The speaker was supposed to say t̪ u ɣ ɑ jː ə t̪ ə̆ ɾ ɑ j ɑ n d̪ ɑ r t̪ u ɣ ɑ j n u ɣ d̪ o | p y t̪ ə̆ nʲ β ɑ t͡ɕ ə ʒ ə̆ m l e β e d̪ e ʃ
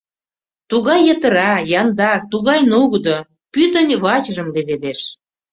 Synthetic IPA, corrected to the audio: t̪ u ɣ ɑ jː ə t̪ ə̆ ɾ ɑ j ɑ n d̪ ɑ r t̪ u ɣ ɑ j n u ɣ d̪ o | p y t̪ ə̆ nʲ β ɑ t͡ɕ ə ʒ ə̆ m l e β e d̪ e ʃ